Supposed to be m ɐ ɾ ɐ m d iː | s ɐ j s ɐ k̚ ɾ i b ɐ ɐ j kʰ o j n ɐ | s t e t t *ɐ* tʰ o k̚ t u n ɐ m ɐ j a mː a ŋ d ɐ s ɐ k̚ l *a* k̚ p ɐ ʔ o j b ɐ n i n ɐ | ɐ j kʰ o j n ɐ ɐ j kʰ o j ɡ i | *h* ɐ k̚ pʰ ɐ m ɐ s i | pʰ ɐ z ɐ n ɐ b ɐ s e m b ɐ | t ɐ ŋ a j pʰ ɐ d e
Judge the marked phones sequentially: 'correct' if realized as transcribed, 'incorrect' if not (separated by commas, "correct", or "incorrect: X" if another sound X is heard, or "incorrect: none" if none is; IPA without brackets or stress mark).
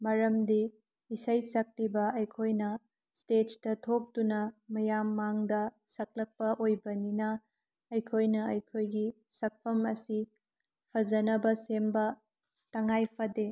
correct, incorrect: ɐ, incorrect: s